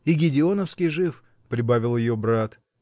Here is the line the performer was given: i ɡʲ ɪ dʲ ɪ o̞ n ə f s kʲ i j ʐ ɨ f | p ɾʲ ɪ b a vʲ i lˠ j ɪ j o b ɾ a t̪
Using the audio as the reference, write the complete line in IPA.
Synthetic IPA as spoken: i ɡʲ ɪ dʲ ɪ o̞ n ə f s kʲ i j ʐ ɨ f | p ɾʲ ɪ b a vʲ ɪ lˠ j ɪ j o b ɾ a t̪